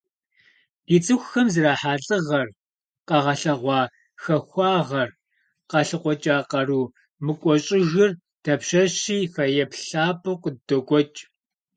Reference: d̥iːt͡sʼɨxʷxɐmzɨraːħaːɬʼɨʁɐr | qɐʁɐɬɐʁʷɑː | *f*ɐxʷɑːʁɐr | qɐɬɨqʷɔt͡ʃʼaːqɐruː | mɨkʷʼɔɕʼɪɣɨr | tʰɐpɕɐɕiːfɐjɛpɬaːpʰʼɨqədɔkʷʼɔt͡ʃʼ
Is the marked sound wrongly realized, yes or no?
yes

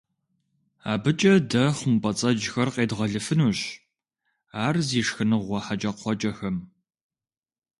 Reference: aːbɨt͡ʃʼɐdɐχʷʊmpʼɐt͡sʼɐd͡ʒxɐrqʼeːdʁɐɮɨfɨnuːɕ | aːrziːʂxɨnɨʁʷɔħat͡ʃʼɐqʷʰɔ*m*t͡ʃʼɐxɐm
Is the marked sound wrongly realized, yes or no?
yes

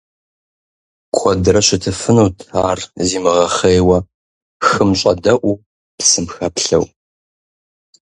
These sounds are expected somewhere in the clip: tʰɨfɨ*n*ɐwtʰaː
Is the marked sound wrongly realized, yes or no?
no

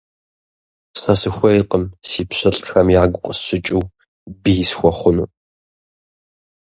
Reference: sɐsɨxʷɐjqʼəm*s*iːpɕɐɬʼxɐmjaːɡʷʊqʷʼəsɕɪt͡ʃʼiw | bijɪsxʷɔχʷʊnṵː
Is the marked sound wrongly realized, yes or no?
no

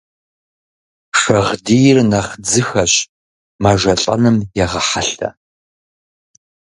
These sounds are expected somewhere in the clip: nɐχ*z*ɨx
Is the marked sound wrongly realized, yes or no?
yes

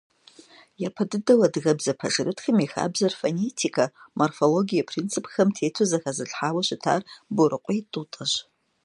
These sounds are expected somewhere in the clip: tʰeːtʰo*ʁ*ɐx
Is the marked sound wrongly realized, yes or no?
yes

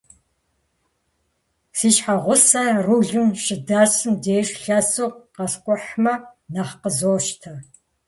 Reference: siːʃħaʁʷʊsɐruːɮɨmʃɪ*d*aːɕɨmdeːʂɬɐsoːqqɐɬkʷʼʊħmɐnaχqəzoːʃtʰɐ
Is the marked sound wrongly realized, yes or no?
no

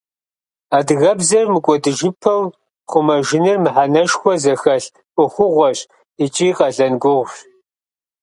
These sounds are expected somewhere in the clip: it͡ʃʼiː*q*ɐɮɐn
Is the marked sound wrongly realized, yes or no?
no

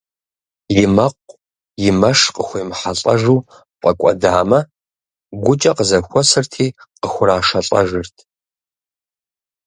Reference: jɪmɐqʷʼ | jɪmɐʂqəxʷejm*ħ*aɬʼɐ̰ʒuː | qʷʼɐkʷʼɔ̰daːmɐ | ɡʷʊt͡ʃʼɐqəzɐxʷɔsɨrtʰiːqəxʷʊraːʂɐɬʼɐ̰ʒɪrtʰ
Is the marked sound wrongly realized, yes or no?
no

